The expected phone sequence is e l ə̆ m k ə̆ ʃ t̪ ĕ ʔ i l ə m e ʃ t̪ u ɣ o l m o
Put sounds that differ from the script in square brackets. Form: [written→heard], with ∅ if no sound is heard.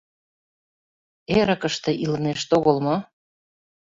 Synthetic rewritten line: e [l→ɾ] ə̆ [m→∅] k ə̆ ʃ t̪ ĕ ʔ i l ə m e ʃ t̪ [u→o] ɣ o l m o